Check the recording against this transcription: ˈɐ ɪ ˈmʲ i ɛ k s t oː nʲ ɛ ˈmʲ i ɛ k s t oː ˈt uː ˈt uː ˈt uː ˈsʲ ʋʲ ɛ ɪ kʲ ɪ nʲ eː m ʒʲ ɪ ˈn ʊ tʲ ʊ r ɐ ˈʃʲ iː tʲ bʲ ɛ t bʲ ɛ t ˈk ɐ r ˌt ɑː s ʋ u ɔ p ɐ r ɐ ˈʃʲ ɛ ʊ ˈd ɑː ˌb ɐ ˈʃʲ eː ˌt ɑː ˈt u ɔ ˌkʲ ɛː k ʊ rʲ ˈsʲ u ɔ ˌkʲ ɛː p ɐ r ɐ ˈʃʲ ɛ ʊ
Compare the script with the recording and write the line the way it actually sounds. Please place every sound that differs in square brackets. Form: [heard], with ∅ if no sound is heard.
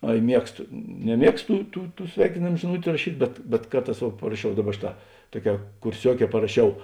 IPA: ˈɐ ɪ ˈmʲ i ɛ k s t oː nʲ ɛ ˈmʲ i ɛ k s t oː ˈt uː ˈt uː ˈt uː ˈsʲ ʋʲ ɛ ɪ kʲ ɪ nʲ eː m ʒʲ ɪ ˈn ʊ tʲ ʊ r ɐ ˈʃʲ iː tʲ bʲ ɛ t bʲ ɛ t ˈk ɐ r ˌt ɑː s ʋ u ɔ p ɐ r ɐ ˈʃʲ ɛ ʊ ˈd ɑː ˌb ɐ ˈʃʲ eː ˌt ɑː ˈt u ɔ ˌkʲ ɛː k ʊ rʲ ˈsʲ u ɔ ˌkʲ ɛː p ɐ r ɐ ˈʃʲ ɛ ʊ